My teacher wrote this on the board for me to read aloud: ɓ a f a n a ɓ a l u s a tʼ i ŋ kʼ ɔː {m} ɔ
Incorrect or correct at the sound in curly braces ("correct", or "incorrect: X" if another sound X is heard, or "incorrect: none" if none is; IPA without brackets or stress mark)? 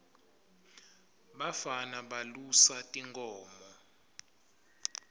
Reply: correct